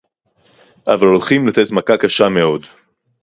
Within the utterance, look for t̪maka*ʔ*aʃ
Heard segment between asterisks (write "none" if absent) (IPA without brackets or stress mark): k